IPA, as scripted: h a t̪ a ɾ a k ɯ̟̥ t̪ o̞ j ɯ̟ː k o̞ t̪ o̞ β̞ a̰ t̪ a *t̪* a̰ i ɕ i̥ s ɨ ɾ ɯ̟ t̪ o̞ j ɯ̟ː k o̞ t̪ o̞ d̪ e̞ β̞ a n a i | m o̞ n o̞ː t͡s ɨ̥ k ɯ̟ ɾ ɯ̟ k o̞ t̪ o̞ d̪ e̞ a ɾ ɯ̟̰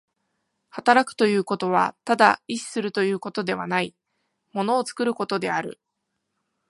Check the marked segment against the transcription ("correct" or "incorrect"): incorrect